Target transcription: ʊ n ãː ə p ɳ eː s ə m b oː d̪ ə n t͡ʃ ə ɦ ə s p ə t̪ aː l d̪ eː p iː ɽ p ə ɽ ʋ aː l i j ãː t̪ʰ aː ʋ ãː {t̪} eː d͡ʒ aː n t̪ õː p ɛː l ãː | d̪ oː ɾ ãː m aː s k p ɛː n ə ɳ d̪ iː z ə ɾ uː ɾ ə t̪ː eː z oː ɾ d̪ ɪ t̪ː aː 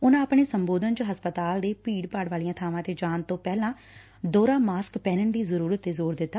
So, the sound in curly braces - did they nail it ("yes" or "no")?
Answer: yes